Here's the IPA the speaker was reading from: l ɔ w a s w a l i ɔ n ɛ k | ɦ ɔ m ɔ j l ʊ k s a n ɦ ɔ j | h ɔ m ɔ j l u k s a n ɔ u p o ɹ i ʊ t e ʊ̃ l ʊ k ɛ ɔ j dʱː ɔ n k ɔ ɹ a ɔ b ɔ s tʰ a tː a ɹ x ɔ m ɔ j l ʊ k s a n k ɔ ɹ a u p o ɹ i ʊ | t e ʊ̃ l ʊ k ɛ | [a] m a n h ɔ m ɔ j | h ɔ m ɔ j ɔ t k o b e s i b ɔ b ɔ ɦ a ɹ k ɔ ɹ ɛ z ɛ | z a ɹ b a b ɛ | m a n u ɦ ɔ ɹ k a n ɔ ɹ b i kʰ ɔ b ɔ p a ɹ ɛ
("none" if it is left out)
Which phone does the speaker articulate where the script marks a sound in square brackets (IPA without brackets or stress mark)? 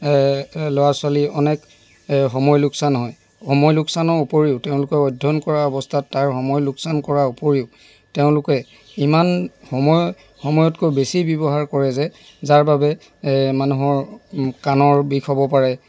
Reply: i